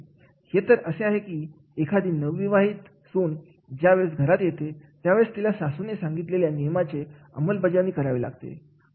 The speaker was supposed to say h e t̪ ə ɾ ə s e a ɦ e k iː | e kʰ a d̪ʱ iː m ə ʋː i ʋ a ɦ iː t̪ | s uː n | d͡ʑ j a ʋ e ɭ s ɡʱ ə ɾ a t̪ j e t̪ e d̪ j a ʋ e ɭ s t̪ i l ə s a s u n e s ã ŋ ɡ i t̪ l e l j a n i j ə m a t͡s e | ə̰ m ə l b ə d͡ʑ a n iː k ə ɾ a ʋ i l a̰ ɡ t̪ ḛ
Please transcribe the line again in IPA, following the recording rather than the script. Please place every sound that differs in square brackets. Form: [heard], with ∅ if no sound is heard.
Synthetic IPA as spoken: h e t̪ ə ɾ ə s e a ɦ e k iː | e kʰ a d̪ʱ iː [n] ə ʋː i ʋ a ɦ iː t̪ | s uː n | d͡ʑ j a ʋ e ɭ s ɡʱ ə ɾ a t̪ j e t̪ e [t̪] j a ʋ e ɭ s t̪ i l [a] s a s u n e s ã ŋ ɡ i t̪ l e l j a n i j ə m a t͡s e | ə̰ m ə l b ə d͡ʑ a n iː k ə ɾ a ʋ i l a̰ ɡ t̪ ḛ